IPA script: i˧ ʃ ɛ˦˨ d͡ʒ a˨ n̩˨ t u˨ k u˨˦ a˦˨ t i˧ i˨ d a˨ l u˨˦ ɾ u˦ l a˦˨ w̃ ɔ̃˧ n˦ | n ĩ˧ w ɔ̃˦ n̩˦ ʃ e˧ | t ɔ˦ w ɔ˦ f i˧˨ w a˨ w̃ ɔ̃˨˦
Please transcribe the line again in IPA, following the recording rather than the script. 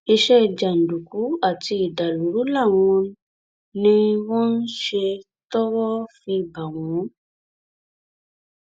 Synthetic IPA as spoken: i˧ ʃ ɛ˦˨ d͡ʒ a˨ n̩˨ d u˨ k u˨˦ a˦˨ t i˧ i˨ d a˨ l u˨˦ ɾ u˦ l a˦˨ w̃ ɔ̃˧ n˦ | n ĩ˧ w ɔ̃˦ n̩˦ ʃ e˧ | t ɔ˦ w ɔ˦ f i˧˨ b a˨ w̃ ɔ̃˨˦